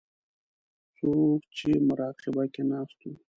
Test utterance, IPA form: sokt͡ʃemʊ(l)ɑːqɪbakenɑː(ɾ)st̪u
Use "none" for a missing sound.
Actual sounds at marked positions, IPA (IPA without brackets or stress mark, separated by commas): ɾ, none